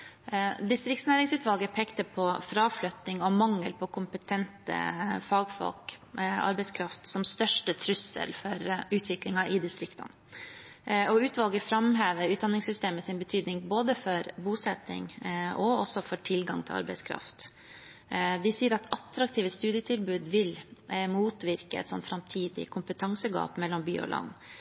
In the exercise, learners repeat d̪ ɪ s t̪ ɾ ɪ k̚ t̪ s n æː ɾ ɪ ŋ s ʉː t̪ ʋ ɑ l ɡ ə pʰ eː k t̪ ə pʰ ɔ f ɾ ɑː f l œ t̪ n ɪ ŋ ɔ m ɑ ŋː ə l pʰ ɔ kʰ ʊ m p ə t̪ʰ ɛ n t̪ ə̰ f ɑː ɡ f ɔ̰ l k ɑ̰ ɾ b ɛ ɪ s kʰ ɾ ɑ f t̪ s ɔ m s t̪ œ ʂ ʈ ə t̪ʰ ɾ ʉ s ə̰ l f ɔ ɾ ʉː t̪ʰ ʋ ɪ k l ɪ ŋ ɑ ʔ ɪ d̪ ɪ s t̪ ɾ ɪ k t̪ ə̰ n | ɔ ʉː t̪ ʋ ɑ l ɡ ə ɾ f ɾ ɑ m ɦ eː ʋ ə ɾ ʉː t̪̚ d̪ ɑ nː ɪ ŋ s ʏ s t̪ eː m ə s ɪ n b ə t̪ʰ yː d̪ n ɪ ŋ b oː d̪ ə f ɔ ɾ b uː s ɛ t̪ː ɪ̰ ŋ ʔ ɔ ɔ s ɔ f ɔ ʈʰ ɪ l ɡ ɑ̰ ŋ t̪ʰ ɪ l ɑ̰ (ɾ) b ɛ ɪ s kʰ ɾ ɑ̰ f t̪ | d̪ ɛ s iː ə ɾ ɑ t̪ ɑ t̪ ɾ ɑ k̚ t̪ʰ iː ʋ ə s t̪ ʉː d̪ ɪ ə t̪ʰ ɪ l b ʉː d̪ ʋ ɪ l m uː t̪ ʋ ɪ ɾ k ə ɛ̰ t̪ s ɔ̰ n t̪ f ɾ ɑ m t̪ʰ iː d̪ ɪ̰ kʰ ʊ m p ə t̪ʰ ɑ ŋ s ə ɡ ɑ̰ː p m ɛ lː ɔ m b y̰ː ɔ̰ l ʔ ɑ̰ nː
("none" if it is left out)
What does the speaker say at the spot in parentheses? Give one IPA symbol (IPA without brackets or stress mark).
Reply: ɾ